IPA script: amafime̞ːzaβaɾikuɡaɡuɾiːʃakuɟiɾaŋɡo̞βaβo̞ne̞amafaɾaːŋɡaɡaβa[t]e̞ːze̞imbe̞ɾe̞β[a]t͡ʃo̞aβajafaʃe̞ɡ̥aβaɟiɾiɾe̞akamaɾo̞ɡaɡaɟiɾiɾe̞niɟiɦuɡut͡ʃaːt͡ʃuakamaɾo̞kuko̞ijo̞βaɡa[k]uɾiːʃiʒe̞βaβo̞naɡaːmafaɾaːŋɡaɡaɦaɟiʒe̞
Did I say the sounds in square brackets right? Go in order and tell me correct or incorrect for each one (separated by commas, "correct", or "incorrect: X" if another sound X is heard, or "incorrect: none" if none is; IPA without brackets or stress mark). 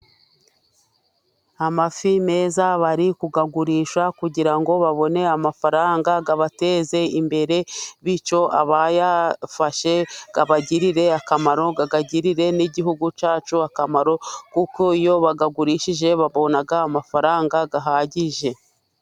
correct, incorrect: i, incorrect: ɡ